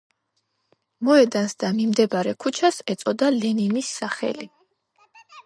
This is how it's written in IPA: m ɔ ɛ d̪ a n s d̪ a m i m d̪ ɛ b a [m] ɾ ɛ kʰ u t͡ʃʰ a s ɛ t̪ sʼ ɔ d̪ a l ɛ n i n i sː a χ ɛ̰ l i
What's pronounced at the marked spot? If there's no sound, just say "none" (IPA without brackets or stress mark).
none